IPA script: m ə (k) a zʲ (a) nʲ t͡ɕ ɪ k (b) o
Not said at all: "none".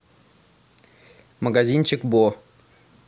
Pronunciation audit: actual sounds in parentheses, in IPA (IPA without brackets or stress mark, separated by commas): ɡ, i, b